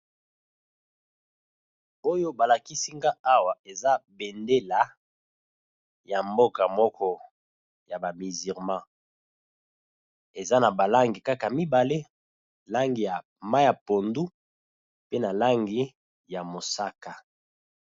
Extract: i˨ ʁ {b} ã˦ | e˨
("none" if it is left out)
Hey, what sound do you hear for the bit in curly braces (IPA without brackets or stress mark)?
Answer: m